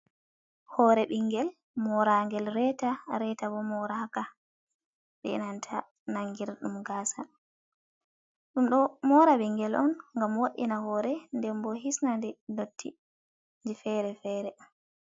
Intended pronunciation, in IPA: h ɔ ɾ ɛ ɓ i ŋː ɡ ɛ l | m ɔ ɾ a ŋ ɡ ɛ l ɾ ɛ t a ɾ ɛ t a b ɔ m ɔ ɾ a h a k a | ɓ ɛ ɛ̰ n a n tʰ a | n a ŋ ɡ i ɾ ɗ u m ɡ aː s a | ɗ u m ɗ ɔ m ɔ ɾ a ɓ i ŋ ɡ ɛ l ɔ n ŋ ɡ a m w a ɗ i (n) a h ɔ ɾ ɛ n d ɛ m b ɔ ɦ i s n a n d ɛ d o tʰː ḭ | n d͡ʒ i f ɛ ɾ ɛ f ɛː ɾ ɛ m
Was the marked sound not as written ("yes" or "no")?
no